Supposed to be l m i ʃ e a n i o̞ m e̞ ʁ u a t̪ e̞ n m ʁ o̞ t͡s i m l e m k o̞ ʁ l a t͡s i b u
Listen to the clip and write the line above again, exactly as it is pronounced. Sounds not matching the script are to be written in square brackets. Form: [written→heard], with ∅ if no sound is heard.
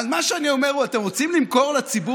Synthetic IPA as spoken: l m [i→a] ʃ e a n i o̞ m e̞ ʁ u a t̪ e̞ [n→∅] m ʁ o̞ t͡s i m l [e→i] m k o̞ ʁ l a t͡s i b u